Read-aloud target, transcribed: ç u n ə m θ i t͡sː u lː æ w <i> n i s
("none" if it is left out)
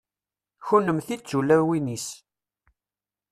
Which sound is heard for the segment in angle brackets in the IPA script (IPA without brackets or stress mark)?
i